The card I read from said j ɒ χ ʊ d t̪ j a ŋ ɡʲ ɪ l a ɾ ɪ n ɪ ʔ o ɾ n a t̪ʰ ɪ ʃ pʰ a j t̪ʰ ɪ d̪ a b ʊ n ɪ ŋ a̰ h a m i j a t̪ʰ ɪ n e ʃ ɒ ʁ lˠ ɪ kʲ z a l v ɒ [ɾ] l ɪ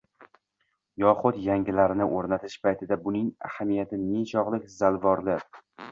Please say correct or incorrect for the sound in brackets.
correct